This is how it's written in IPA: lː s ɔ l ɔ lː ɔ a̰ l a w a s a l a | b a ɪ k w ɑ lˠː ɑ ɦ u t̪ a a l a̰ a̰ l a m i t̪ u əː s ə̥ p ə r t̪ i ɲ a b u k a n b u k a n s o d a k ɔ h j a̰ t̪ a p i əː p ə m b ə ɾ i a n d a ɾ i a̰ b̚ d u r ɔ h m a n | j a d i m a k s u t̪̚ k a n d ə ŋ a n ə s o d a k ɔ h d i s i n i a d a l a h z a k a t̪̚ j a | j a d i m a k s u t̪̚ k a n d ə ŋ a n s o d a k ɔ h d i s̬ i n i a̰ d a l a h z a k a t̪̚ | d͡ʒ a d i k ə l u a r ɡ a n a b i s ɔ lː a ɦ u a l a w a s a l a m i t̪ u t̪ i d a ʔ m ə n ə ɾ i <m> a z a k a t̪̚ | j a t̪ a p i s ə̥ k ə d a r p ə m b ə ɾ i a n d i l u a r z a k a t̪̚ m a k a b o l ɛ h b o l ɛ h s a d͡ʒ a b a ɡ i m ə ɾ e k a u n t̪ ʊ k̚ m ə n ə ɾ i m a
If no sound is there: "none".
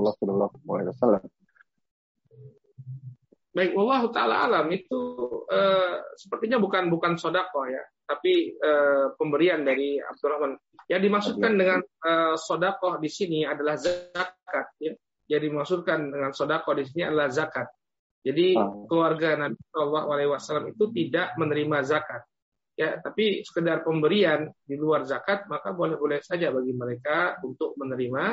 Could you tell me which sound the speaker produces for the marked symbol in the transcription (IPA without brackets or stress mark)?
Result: m